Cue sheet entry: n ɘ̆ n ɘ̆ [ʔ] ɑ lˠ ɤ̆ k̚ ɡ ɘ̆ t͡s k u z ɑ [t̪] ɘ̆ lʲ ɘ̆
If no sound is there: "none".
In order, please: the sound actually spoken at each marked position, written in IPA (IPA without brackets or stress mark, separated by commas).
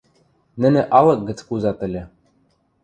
ʔ, t̪